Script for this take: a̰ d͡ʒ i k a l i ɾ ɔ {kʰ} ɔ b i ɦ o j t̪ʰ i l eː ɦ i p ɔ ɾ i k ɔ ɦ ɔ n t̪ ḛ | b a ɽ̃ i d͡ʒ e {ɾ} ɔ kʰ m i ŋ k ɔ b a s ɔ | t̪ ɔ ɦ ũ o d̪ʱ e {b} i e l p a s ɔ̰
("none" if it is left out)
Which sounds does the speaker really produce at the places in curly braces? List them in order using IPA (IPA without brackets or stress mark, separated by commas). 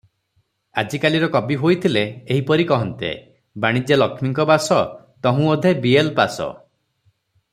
k, l, b